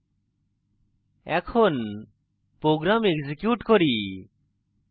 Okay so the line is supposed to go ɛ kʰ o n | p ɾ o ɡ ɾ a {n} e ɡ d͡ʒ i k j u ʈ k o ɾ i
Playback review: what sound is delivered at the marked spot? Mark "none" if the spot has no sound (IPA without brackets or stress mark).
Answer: m